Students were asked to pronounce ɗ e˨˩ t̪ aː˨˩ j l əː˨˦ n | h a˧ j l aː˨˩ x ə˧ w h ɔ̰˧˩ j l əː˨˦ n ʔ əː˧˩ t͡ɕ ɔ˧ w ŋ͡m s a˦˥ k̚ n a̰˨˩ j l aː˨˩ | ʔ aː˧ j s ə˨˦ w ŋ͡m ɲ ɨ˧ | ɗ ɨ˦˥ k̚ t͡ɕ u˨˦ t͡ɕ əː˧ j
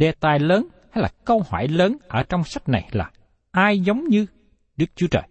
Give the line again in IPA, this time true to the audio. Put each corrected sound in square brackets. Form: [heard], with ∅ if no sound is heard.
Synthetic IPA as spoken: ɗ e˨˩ t̪ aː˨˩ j l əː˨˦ n | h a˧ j l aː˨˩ [k] ə˧ w h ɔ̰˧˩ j l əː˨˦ n ʔ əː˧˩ t͡ɕ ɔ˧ w ŋ͡m s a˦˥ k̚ n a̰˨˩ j l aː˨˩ | ʔ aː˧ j [z] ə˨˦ w ŋ͡m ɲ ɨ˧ | ɗ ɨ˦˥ k̚ t͡ɕ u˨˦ t͡ɕ [əː˨˩] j